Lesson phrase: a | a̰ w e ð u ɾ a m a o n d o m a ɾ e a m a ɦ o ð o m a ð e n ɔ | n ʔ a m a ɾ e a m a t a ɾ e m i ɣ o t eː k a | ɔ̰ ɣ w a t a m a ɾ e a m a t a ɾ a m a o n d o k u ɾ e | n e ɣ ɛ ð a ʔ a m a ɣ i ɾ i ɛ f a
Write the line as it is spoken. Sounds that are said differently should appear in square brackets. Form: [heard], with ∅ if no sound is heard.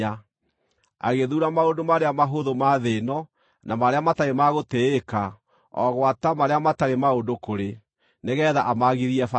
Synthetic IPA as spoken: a | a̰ [ɣ] e ð u ɾ a m a o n d o m a ɾ e a m a ɦ o ð o m a ð e n ɔ | n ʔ a m a ɾ e a m a t a ɾ e m [a] ɣ o t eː k a | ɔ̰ ɣ w a t a m a ɾ e a m a t a ɾ [e] m a o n d o k [o] ɾ e | n e ɣ ɛ ð a ʔ a m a ɣ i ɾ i ɛ f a